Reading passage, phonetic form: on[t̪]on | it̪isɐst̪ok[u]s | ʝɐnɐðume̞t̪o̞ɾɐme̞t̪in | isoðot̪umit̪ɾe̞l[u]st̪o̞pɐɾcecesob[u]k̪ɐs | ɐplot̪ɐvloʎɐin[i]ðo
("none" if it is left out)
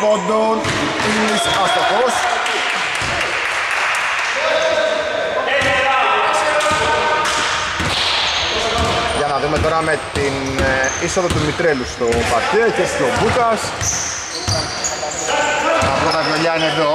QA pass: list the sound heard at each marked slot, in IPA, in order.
d̪, o, u, u, e

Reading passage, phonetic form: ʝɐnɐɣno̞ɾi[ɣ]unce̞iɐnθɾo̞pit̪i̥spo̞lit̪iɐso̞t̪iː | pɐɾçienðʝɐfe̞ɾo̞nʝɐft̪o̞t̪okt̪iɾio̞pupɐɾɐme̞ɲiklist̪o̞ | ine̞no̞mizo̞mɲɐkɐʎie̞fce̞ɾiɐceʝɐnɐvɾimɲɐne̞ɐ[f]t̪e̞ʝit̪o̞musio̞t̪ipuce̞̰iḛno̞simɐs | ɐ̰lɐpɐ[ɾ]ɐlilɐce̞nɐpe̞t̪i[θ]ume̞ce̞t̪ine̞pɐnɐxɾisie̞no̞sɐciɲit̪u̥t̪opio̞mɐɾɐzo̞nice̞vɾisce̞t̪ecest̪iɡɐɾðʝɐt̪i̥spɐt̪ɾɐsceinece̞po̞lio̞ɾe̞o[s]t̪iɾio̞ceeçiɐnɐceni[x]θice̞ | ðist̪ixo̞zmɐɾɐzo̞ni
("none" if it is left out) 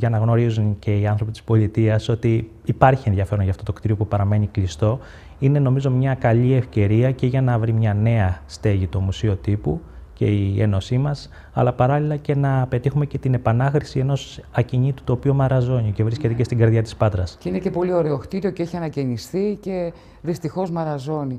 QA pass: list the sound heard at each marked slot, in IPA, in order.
z, s, ɾ, x, x, s

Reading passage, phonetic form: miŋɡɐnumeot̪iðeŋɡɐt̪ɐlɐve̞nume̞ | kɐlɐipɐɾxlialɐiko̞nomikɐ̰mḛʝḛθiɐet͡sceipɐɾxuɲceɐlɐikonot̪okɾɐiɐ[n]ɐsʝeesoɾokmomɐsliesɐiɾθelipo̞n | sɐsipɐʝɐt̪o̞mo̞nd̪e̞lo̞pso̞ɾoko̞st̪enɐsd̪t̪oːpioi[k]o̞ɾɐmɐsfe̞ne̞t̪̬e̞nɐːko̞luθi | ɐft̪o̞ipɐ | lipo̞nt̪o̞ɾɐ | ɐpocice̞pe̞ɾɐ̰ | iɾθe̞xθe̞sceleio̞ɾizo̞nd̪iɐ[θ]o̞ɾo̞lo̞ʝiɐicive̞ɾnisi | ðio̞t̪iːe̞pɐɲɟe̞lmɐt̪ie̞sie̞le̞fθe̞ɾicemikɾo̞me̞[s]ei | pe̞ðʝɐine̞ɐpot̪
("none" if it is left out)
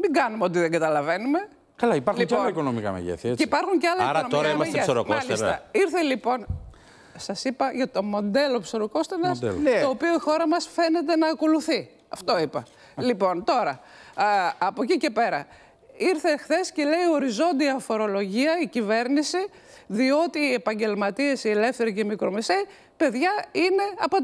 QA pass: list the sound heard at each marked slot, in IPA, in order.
m, x, f, s

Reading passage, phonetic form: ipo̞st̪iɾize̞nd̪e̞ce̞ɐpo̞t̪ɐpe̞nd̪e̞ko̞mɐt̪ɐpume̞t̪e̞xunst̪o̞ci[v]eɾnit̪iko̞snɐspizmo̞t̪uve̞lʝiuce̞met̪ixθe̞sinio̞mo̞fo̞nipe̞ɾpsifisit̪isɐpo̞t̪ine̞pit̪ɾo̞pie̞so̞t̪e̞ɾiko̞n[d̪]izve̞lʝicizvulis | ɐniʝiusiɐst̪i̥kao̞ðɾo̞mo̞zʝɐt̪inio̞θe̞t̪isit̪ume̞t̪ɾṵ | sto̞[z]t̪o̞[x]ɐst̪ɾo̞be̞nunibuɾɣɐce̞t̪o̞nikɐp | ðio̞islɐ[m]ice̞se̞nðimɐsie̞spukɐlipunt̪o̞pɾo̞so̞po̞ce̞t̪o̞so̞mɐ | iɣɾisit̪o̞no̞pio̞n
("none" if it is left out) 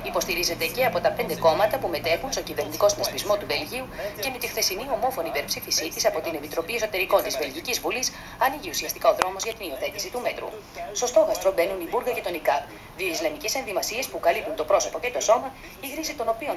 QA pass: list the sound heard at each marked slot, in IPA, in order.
v, t̪, s, ɣ, m

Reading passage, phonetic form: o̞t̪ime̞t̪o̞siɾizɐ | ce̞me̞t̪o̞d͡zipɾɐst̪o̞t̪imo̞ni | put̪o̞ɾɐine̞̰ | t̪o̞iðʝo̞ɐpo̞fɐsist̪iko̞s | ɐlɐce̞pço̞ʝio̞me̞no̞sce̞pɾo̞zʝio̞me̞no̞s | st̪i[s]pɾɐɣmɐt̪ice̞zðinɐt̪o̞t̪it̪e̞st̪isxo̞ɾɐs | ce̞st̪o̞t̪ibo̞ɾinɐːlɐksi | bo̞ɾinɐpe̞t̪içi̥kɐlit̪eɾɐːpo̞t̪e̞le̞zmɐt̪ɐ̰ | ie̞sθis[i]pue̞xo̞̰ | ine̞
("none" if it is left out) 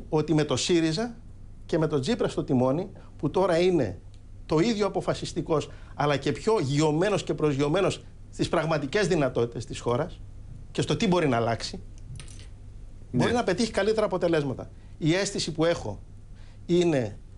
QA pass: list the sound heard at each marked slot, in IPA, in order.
s, i

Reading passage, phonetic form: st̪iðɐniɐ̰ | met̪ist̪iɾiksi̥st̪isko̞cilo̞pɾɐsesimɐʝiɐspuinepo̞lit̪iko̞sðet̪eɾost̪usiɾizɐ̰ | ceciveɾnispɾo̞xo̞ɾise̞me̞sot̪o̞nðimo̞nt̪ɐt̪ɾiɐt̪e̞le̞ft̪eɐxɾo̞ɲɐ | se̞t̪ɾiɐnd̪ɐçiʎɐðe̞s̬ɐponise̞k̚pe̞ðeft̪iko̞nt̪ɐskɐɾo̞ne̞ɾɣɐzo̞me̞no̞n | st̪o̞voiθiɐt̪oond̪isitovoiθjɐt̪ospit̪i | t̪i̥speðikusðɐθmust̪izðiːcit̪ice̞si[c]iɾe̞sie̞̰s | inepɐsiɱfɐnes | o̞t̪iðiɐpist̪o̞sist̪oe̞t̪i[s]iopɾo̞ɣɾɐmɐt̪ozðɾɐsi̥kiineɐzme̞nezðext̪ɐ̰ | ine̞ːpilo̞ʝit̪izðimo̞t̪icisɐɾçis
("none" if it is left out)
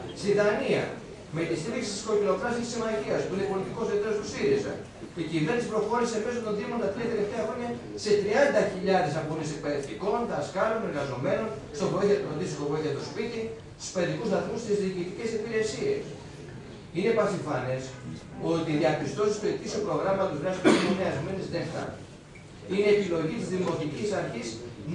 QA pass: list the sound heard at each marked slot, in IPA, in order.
p, s

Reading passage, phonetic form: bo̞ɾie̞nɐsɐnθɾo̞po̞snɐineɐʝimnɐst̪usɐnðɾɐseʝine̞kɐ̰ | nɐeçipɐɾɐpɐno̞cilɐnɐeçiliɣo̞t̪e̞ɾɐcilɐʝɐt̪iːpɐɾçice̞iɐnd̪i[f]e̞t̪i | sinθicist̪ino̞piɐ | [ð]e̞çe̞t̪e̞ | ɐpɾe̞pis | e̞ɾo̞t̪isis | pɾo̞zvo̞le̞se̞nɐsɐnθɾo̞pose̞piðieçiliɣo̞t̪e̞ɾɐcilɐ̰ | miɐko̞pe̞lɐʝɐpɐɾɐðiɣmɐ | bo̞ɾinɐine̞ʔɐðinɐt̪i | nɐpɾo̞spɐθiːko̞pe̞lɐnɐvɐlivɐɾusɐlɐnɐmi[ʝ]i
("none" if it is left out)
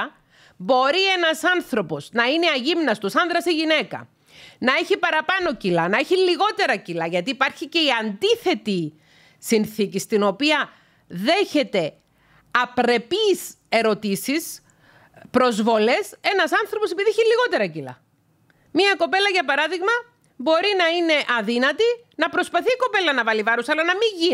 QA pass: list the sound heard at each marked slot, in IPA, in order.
θ, ð, ʝ

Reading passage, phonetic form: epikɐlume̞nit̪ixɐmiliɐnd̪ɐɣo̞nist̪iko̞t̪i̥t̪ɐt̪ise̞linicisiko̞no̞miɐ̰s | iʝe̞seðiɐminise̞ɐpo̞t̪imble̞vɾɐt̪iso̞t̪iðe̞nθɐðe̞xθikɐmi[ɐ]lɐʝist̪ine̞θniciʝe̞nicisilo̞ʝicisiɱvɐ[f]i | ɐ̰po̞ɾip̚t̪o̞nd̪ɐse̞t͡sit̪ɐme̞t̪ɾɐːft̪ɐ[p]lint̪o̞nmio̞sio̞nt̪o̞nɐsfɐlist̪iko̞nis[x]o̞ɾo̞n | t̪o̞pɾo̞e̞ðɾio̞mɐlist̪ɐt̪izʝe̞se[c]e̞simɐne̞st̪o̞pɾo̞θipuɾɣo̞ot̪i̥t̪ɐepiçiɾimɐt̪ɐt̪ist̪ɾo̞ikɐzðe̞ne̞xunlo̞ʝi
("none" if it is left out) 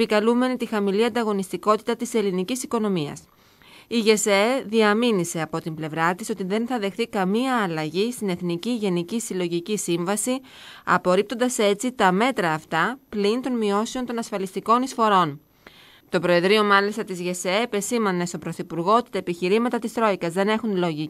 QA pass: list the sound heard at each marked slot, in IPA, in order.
ɐː, s, p, f, p

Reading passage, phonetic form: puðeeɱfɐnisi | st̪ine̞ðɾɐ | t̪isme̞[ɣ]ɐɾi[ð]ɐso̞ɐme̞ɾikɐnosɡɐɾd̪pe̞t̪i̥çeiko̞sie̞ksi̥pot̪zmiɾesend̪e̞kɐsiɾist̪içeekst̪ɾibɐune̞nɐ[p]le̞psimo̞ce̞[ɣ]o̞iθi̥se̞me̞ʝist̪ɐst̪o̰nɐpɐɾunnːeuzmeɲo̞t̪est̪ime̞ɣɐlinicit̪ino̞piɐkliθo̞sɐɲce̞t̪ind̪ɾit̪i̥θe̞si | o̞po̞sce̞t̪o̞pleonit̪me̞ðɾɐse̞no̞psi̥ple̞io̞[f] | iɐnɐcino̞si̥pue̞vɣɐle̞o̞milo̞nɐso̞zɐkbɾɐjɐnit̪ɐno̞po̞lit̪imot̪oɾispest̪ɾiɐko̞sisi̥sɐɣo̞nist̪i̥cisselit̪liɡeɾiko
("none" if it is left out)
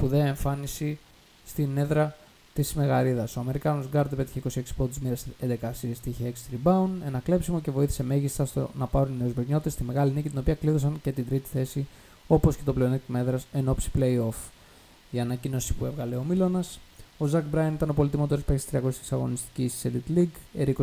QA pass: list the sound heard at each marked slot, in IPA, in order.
ɣ, ð, k, v, f

